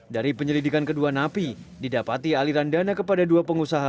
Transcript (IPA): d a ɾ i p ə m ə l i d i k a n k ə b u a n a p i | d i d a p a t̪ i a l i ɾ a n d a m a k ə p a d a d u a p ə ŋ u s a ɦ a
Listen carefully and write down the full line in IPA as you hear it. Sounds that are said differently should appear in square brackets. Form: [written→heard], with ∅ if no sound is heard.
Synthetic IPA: d a ɾ i p ə [m→ɲ] ə l i d i k a n k ə [b→d] u a n a p i | d i d a p a t̪ i a l i ɾ a n d a [m→n] a k ə p a d a d u a p ə ŋ u s a ɦ a